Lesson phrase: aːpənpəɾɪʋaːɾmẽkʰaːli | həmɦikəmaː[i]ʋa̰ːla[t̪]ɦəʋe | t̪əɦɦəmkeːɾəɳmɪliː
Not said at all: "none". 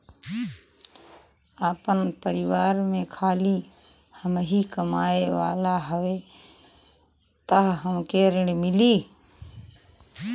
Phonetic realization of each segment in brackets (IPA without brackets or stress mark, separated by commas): e, none